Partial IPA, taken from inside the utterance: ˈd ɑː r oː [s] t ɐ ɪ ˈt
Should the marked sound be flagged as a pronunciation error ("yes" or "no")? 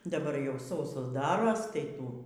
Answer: no